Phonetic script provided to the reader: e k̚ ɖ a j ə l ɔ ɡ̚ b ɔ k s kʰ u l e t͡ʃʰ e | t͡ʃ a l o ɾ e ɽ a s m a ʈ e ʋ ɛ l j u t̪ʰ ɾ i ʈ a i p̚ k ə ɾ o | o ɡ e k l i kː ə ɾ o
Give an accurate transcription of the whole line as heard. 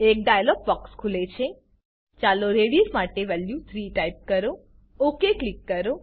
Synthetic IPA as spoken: e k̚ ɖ a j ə l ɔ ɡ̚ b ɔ k s kʰ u l e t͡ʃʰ e | t͡ʃ a l o ɾ e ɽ i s m a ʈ e ʋ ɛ l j u t̪ʰ ɾ i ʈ a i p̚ k ə ɾ o | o k e k l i kː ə ɾ o